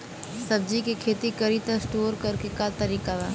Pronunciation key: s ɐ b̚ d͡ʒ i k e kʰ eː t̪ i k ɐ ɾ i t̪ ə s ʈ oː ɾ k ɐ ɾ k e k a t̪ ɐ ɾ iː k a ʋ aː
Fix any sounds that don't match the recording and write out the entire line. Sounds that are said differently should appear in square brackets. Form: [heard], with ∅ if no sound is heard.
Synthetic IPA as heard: s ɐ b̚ d͡ʒ i k e kʰ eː t̪ i k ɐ ɾ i t̪ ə s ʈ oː ɾ k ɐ ɾ k e k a t̪ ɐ ɾ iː k a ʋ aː